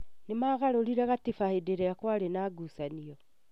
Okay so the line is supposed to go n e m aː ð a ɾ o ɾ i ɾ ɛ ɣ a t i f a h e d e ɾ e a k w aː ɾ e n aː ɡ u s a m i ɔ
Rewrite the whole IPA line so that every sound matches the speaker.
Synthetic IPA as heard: n e m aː ɣ a ɾ o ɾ i ɾ ɛ ɣ a t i f a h e d e ɾ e a k w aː ɾ e n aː ɡ u s a n i ɔ

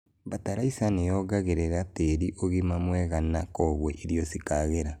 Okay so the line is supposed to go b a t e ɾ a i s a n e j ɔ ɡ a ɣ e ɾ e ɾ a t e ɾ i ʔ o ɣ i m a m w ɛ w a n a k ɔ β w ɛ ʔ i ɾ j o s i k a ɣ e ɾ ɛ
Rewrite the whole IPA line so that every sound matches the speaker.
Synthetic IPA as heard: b a t a ɾ a i s a n e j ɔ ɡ a ɣ e ɾ e ɾ a t e ɾ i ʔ o ɣ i m a m w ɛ ɣ a n a k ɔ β w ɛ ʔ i ɾ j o s i k a ɣ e ɾ a

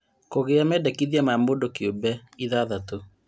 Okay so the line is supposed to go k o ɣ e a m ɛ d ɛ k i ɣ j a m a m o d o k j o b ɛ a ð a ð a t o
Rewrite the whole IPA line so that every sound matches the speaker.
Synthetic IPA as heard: k o ɣ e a m ɛ d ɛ k i ð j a m a m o d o k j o b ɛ i ð a ð a t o

